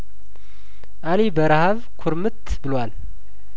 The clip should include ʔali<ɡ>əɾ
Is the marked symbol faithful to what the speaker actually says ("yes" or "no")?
no